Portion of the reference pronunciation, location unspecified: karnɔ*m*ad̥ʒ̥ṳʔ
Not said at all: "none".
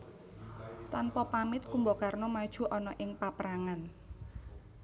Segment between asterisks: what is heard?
m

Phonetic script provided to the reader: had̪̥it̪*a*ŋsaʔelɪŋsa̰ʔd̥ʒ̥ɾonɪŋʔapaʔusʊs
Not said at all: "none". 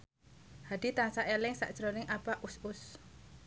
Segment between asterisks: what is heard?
a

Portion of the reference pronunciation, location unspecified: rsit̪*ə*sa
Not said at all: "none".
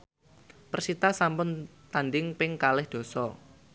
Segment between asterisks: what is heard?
a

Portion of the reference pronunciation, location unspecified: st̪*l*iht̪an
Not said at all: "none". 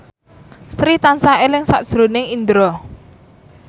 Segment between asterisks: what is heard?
ɾ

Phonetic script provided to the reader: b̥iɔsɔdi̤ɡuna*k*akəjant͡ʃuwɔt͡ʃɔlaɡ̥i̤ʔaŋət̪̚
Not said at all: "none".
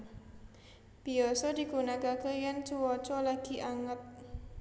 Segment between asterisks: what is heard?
k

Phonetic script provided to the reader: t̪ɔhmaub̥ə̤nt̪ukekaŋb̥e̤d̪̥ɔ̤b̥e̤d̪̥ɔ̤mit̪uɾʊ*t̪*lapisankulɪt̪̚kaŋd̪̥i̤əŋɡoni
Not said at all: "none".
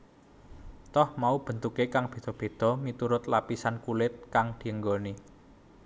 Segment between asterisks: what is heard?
t̪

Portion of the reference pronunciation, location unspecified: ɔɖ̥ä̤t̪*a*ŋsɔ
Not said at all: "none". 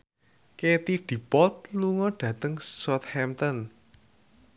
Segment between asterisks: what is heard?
ə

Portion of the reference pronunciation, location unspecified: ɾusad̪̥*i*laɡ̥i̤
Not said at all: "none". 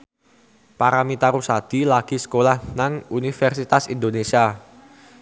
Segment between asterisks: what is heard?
i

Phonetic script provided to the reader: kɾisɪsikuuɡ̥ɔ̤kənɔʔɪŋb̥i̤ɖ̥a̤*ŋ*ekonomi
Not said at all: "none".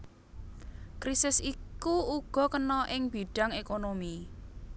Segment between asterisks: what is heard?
ŋ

